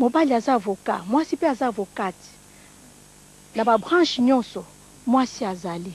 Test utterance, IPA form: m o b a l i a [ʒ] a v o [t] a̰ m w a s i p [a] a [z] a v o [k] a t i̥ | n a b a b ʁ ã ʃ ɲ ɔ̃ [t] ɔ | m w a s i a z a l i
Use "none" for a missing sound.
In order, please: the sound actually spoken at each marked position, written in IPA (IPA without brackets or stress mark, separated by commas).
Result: z, k, e, z, k, s